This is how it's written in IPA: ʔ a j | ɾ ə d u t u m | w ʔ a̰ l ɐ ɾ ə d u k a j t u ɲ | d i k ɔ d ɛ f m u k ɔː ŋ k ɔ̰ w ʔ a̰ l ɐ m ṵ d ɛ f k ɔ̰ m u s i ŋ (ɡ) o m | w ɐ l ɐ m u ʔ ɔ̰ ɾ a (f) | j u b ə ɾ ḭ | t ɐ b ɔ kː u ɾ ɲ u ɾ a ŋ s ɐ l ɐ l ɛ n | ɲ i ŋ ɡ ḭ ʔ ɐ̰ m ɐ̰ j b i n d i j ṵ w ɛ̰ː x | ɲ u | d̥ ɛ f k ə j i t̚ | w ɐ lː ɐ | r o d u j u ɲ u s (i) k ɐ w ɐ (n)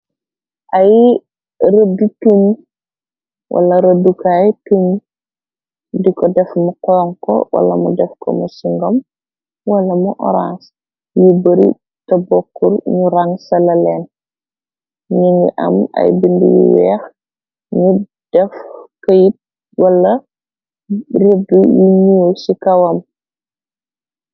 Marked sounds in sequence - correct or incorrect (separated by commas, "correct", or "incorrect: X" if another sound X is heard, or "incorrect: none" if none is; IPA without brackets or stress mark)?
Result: correct, incorrect: s, correct, incorrect: m